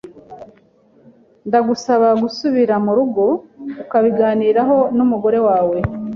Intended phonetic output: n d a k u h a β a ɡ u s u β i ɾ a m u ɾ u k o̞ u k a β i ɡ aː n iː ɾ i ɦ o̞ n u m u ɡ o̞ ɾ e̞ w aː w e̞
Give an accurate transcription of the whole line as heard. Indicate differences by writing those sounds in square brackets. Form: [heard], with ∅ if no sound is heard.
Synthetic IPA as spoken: n d a [ɡ] u [s] a β a ɡ u s u β i ɾ a m u ɾ u [ɡ] o̞ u k a β i ɡ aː n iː ɾ [a] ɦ o̞ n u m u ɡ o̞ ɾ e̞ w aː w e̞